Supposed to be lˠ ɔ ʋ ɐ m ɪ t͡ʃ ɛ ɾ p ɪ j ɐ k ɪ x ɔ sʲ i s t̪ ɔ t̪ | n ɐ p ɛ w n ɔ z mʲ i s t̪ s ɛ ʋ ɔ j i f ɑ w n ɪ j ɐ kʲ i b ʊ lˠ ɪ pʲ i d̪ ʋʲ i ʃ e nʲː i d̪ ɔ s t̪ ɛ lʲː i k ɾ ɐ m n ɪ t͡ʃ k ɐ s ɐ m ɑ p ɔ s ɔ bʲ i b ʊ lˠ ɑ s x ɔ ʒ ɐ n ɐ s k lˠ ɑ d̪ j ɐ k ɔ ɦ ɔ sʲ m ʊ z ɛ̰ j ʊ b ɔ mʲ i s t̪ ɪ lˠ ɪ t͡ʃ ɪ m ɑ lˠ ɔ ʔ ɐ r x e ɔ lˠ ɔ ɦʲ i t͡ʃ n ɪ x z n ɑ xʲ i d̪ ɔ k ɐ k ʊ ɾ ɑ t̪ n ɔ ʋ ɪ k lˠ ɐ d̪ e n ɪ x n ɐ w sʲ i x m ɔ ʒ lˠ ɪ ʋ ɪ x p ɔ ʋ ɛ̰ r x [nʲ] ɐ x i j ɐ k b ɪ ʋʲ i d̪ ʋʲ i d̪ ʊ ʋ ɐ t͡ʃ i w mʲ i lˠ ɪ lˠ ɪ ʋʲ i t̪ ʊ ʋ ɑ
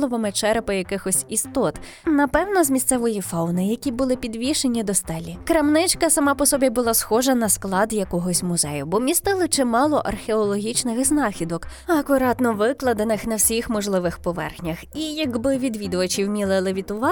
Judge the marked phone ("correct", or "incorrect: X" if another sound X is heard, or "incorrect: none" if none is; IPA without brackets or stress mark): correct